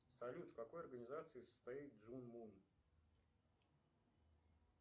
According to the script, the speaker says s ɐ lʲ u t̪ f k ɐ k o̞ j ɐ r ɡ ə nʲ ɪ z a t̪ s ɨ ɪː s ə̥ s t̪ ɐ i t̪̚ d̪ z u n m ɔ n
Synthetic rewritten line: s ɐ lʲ u t̪ f k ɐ k o̞ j ɐ r ɡ ə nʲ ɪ z a t̪ s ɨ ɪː s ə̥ s t̪ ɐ i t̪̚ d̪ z u n m u n

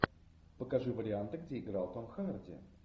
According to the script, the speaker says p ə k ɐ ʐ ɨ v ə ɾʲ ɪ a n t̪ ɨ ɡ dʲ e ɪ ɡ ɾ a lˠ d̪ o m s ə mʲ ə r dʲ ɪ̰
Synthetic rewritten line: p ə k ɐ ʐ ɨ v ə ɾʲ ɪ a n t̪ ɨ ɡ dʲ e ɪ ɡ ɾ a lˠ t̪ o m x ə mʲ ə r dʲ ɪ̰

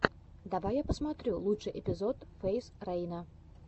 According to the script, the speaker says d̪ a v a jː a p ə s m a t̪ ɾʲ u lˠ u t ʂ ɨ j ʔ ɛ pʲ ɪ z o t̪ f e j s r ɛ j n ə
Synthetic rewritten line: d̪ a v a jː a p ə s m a t̪ ɾʲ u lˠ u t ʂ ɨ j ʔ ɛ pʲ ɪ z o t̪ f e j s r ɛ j n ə

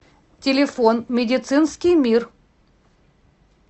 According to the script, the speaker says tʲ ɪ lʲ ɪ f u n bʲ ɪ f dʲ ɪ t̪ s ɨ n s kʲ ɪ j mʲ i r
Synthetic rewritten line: tʲ ɪ lʲ ɪ f o n mʲ ɪ dʲ ɪ t̪ s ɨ n s kʲ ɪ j mʲ i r

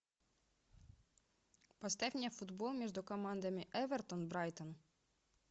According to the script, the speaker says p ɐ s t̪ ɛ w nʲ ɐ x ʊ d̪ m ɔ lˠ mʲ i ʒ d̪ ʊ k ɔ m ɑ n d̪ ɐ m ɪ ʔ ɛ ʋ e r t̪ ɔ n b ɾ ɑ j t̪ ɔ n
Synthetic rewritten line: p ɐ s t̪ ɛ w nʲ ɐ f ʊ d̪ b ɔ lˠ mʲ i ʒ d̪ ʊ k ɔ m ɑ n d̪ ɐ m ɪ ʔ ɛ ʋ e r t̪ ɔ n b ɾ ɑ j t̪ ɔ n

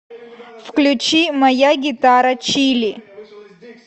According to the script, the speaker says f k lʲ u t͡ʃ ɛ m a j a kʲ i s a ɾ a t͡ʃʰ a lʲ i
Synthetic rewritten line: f k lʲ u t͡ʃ i m a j a ɡʲ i t a ɾ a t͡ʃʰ i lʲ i

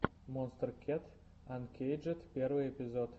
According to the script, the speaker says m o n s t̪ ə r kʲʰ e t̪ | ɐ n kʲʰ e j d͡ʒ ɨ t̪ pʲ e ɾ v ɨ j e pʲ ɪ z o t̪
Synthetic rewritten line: m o n s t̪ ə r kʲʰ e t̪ | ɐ n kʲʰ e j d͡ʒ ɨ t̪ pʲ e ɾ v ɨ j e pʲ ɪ z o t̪

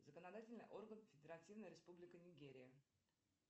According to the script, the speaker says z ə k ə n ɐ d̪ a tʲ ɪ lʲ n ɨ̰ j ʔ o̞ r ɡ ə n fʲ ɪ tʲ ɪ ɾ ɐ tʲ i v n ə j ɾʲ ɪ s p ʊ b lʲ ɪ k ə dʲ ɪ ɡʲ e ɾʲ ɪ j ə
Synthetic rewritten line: z ə k ə n ɐ d̪ a tʲ ɪ lʲ n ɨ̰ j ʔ o̞ r ɡ ə n fʲ ɪ dʲ ɪ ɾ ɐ tʲ i v n ə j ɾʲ ɪ s p u b lʲ ɪ k ə nʲ ɪ ɡʲ e ɾʲ ɪ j ə

